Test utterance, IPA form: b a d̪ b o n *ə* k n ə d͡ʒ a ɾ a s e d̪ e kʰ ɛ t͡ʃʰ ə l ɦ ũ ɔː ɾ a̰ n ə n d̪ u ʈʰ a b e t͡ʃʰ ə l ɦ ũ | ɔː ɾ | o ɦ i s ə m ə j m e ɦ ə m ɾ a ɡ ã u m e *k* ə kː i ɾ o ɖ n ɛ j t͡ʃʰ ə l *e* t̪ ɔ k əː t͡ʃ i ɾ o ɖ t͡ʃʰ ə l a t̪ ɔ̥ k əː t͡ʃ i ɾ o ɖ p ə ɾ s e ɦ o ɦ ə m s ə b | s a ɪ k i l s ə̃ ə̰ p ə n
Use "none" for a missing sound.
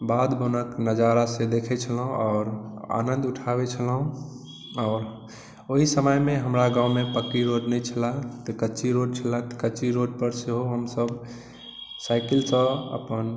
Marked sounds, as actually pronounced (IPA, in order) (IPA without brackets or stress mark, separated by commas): ə, p, a